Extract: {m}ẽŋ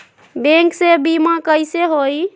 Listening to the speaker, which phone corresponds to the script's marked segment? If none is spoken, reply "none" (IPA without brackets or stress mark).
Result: b